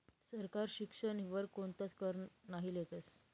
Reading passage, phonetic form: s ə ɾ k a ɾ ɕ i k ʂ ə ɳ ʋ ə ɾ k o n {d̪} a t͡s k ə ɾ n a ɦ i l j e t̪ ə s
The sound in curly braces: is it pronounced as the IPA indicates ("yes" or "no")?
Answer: no